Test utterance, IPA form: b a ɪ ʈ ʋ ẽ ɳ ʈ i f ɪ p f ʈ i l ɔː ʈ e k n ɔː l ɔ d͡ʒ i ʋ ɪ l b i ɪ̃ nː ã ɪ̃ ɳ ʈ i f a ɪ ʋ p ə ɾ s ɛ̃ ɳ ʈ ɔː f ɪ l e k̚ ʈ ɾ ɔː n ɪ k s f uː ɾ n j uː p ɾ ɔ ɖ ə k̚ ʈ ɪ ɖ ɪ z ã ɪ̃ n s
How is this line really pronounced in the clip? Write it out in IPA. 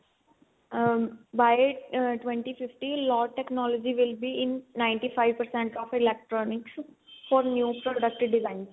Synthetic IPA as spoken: b a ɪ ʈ ʋ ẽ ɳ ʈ i f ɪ f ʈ i l ɔː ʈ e k n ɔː l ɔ d͡ʒ i ʋ ɪ l b i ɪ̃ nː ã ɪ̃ ɳ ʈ i f a ɪ ʋ p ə ɾ s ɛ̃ ɳ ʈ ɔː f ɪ l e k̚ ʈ ɾ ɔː n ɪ k s f ɔː ɾ n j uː p ɾ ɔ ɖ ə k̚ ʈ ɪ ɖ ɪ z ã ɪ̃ n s